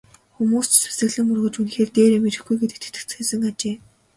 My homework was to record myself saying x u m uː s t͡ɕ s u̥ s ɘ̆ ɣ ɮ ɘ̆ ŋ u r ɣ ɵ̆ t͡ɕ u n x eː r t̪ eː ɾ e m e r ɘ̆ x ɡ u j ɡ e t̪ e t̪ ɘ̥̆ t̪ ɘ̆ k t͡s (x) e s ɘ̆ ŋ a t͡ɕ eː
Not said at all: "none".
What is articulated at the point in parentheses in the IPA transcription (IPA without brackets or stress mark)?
x